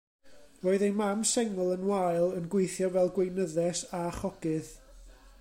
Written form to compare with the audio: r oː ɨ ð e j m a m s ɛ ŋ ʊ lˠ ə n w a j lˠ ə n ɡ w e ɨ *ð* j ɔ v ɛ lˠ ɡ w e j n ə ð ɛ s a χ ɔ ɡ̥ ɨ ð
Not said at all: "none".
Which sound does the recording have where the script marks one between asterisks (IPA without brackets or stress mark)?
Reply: θ